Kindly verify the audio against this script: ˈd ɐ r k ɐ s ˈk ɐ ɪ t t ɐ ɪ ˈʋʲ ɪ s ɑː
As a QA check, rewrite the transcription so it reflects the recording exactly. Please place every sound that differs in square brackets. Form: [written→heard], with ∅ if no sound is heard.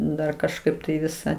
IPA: ˈd ɐ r k ɐ [s→ʃ] ˈk ɐ ɪ [t→p] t ɐ ɪ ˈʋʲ ɪ s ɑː